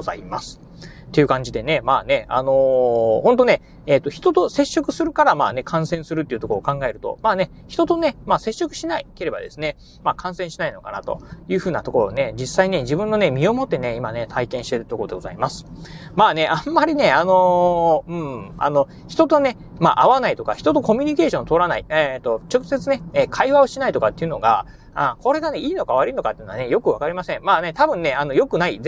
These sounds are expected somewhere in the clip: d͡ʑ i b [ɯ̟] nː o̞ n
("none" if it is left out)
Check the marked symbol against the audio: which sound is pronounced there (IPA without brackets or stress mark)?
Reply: ɯ̟̃